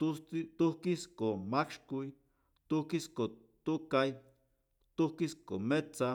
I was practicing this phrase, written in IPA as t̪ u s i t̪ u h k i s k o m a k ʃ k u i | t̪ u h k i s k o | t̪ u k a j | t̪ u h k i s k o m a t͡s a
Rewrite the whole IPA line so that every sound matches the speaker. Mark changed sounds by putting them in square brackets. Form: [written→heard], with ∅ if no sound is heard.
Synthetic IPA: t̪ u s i t̪ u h k i s k o m a k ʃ k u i | t̪ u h k i s k o | t̪ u k a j | t̪ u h k i s k o m [a→e] t͡s a